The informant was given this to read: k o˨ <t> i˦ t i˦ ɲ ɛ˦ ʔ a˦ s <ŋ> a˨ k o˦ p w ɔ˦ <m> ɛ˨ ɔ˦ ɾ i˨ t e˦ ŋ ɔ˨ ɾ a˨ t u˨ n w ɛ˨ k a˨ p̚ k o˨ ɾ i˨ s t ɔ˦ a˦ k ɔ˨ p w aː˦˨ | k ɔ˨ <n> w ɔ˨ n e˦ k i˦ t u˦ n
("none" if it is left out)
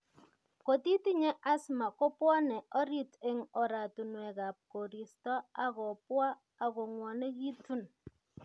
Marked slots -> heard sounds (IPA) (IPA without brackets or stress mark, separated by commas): t, m, n, ŋ